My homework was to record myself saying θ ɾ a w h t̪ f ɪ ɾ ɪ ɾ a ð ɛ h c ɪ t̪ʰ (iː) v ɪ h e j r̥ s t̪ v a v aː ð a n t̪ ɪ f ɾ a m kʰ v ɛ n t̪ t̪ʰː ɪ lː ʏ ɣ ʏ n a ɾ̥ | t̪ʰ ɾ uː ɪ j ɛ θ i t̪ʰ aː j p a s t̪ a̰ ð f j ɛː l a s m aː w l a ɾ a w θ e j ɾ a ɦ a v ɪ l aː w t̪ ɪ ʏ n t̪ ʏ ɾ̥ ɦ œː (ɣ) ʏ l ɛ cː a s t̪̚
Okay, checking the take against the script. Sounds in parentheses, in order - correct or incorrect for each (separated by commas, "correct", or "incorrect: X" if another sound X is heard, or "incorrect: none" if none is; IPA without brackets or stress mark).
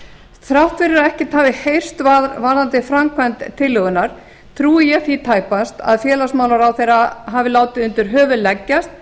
incorrect: aː, incorrect: v